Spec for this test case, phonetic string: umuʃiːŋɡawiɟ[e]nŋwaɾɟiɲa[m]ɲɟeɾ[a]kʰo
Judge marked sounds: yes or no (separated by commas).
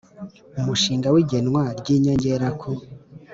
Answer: yes, no, yes